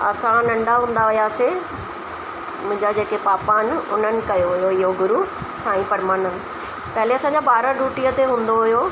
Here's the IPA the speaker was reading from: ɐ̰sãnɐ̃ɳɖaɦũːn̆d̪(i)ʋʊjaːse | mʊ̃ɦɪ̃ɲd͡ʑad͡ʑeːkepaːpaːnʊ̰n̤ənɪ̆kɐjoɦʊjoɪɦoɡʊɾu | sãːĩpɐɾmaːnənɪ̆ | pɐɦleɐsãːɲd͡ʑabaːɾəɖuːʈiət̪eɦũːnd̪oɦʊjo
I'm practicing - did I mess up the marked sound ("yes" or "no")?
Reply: yes